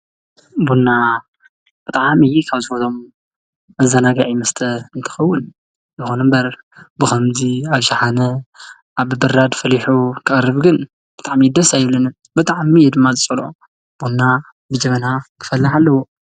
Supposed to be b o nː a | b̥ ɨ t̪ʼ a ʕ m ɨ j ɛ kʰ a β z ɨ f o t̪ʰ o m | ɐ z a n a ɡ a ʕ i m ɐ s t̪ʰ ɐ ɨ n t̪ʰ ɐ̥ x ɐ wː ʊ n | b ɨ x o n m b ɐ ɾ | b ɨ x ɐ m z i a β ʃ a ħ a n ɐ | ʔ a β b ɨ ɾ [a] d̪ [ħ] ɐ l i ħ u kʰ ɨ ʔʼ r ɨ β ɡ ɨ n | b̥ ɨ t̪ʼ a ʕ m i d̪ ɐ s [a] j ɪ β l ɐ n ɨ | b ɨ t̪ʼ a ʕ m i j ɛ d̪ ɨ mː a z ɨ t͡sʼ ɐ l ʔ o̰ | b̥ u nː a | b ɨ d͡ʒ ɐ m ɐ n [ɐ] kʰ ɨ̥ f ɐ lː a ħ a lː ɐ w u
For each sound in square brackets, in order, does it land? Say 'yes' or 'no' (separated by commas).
yes, no, yes, no